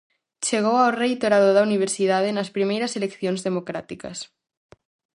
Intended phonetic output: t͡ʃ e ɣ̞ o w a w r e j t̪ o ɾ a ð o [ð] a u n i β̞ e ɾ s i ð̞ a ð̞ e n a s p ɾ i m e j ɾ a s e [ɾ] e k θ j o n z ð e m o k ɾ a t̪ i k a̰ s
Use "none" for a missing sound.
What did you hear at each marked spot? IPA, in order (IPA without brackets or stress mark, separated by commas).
ð, l